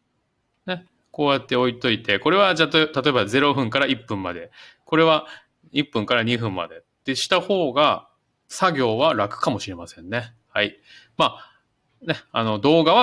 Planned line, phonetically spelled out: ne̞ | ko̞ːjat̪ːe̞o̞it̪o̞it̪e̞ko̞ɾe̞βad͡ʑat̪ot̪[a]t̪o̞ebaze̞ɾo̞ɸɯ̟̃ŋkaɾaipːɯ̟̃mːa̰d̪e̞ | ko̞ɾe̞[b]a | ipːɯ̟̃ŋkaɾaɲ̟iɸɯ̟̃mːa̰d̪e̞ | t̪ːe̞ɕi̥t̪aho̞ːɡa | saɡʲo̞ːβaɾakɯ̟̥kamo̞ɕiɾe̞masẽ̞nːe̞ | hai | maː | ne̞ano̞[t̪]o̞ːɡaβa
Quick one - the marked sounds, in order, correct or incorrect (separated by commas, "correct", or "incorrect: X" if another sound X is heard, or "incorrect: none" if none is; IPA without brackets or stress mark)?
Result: correct, incorrect: β, incorrect: d̪